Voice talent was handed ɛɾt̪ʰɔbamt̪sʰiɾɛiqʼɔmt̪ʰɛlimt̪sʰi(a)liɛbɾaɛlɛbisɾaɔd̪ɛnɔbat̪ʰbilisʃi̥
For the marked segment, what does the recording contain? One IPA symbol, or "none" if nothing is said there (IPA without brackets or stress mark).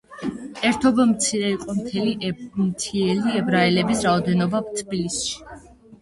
ɛ